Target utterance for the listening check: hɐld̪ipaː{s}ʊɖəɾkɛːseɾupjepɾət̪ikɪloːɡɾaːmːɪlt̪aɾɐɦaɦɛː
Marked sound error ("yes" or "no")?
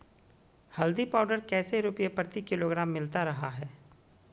yes